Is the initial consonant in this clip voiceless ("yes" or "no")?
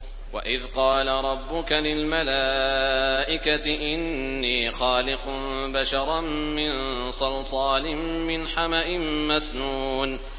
no